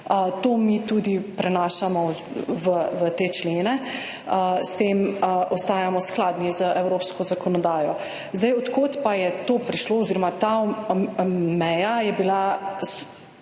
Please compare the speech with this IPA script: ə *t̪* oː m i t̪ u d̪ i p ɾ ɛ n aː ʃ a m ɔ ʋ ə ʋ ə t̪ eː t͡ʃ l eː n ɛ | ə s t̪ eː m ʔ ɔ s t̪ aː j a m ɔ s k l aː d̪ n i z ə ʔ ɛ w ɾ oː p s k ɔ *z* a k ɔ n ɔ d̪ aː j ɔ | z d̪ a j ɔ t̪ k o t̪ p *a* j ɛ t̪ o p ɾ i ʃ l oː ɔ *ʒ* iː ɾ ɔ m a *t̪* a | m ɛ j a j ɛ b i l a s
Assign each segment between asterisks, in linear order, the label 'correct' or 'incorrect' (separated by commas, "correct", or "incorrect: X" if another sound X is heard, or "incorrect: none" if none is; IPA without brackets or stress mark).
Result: correct, correct, correct, incorrect: z, correct